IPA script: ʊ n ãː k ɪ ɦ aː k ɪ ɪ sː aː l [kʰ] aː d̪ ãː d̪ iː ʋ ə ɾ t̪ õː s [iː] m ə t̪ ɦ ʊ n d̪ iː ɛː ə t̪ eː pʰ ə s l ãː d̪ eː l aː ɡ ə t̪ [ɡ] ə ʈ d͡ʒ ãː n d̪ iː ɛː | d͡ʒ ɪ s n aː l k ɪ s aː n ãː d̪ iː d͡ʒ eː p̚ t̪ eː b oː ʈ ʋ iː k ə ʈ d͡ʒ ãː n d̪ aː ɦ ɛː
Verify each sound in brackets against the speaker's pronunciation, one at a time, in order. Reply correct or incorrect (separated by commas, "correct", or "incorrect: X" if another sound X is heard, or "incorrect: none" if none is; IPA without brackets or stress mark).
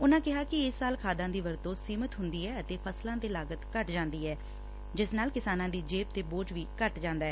correct, correct, incorrect: k